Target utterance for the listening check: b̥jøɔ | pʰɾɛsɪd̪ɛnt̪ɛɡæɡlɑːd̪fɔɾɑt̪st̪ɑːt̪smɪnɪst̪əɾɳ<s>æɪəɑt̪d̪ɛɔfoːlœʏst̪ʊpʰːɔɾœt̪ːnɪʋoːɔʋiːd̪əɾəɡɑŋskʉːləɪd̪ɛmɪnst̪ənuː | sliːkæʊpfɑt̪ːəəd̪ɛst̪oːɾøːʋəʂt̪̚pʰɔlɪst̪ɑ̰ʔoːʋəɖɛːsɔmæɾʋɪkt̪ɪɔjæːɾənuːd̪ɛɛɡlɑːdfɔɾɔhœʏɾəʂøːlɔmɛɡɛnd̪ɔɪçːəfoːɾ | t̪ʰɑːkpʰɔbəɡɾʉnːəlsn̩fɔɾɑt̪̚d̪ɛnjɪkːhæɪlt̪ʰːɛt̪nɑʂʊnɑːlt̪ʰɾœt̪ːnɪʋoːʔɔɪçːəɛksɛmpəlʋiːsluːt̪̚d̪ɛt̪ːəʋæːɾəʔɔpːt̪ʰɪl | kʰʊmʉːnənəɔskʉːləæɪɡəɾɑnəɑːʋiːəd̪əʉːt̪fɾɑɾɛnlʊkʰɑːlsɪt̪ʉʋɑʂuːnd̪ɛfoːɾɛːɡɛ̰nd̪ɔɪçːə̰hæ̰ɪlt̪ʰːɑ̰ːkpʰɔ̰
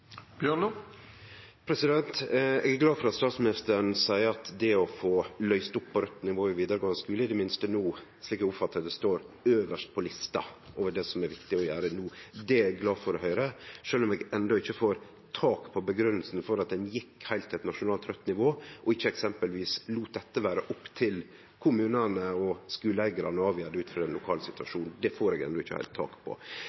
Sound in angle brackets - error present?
no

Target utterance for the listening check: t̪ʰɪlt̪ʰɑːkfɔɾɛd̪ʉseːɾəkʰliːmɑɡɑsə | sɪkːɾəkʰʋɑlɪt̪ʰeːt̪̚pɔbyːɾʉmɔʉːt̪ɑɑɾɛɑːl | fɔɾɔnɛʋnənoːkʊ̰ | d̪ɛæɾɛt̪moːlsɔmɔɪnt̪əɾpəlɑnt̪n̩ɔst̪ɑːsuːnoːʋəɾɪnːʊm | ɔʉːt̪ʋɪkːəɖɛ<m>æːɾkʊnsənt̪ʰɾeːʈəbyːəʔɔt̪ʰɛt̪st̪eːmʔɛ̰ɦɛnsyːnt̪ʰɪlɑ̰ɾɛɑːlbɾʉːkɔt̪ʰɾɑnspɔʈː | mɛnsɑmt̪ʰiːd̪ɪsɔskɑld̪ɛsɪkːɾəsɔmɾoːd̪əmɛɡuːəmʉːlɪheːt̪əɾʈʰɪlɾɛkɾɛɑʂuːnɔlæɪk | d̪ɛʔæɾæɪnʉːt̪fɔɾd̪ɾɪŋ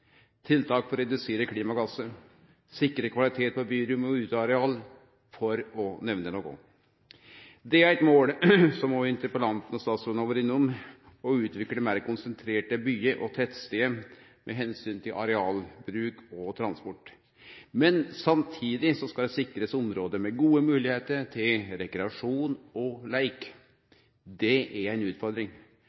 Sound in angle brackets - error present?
no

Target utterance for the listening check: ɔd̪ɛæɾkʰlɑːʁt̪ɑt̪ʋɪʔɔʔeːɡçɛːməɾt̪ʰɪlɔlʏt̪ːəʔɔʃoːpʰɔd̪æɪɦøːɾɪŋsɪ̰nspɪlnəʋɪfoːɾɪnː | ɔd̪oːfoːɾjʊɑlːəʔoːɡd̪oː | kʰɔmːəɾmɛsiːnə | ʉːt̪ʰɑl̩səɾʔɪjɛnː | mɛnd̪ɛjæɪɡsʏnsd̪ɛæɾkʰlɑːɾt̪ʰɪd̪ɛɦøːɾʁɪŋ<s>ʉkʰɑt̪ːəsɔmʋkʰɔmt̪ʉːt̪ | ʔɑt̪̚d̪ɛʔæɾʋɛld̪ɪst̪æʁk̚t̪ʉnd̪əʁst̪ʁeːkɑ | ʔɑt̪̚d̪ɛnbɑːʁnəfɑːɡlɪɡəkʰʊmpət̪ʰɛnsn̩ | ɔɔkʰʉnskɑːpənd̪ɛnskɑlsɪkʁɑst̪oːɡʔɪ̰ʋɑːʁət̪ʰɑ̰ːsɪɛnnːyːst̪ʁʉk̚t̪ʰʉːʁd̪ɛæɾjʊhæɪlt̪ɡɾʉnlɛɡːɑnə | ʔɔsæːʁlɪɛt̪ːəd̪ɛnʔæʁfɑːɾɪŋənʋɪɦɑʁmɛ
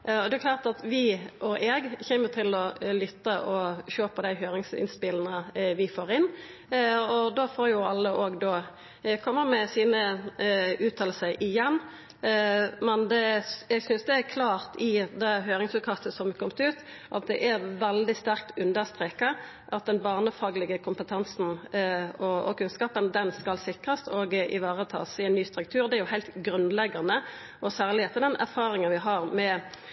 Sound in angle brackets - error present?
no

